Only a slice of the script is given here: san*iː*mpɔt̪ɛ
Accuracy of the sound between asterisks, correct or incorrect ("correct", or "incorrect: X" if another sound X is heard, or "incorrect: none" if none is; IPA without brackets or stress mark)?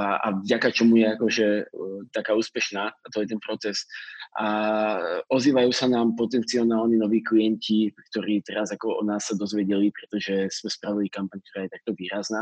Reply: incorrect: aː